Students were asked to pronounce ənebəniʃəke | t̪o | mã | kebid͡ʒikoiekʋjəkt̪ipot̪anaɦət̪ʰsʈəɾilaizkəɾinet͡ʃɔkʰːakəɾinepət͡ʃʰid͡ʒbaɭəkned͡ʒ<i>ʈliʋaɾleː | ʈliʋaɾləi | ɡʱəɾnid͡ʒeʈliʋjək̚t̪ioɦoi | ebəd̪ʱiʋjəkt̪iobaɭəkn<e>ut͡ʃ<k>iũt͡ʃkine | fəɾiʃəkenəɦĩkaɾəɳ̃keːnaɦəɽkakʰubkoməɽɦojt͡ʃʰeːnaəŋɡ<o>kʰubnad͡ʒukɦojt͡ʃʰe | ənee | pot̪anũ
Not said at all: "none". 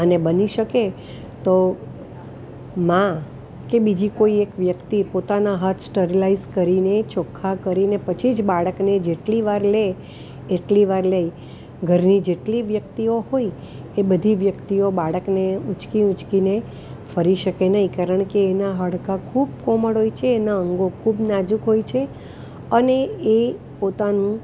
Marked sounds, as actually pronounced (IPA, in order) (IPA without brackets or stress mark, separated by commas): e, e, k, o